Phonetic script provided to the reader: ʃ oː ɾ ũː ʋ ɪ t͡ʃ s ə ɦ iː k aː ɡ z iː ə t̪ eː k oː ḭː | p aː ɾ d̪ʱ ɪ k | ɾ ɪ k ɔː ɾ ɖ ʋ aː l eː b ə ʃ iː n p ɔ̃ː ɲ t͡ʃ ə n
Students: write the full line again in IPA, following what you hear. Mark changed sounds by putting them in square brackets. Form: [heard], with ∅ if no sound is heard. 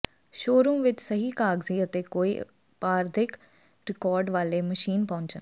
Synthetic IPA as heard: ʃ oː ɾ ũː ʋ ɪ t͡ʃ s ə ɦ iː k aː ɡ z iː ə t̪ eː k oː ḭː | p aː ɾ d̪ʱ ɪ k | ɾ ɪ k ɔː ɾ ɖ ʋ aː l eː [m] ə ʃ iː n p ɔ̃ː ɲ t͡ʃ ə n